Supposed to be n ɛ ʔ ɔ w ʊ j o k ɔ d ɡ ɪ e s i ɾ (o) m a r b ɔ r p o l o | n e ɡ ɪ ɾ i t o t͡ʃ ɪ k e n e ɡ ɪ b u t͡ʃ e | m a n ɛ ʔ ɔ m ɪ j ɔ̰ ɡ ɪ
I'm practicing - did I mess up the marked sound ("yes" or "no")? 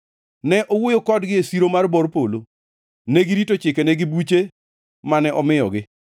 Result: no